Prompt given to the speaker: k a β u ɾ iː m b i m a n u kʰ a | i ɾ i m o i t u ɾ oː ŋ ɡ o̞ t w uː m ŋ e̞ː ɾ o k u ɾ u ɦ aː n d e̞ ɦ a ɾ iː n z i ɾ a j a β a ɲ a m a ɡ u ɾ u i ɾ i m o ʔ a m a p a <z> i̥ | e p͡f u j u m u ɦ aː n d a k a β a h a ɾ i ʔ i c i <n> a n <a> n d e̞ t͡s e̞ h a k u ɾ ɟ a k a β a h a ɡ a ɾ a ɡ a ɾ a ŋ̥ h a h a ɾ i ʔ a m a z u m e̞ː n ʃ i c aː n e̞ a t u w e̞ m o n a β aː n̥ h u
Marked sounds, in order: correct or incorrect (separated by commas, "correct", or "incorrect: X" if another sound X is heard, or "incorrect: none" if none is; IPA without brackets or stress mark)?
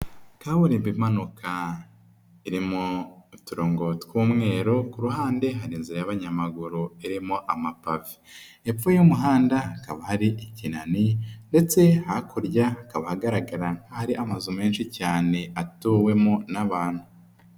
incorrect: v, correct, incorrect: i